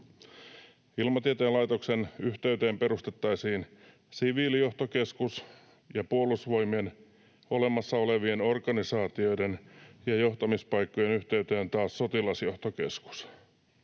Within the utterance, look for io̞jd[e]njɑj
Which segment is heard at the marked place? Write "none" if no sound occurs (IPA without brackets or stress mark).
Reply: e